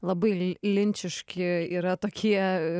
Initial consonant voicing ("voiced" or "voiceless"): voiced